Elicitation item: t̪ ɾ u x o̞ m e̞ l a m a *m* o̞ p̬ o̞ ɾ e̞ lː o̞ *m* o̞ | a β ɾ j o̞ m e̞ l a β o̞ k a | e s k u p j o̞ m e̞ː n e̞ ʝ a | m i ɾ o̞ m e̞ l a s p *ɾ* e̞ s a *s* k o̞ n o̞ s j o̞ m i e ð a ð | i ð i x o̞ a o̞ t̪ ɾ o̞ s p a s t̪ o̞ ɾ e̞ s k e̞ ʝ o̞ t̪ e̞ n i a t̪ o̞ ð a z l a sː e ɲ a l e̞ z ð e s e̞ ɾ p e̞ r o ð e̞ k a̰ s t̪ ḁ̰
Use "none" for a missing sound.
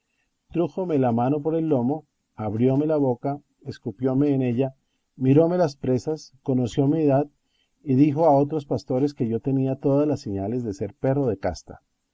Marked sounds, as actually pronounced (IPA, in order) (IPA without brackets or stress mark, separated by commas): n, m, ɾ, s